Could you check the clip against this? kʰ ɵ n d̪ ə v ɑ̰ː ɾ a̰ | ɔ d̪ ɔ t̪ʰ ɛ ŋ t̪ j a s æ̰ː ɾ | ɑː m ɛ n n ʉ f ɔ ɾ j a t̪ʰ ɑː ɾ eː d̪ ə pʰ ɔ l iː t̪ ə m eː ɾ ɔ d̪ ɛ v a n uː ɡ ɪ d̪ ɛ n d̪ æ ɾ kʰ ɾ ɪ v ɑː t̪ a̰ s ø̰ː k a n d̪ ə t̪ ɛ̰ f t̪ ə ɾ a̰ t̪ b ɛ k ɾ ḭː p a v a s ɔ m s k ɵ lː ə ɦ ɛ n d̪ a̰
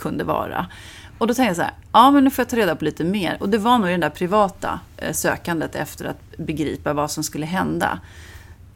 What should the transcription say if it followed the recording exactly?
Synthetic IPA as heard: kʰ ɵ n d̪ ə v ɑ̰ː ɾ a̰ | ɔ d̪ ɔ t̪ʰ ɛ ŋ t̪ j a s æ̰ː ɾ | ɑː m ɛ n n ʉ f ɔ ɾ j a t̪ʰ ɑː ɾ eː d̪ a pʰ ɔ l iː t̪ ə m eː ɾ ɔ d̪ ɛ v a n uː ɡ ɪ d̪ ɛ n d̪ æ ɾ pʰ ɾ ɪ v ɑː t̪ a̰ s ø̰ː k a n d̪ ə t̪ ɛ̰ f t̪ ə ɾ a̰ t̪ b ɛ ɡ ɾ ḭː p a v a s ɔ m s k ɵ lː ə ɦ ɛ n d̪ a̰